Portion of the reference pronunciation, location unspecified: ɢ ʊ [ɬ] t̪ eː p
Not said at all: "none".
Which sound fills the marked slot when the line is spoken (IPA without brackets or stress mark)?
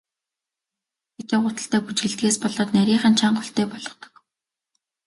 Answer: ɬ